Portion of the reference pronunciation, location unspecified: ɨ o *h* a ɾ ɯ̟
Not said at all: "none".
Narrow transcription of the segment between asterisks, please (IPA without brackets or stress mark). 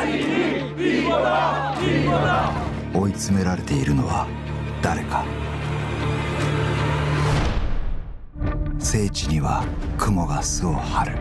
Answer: h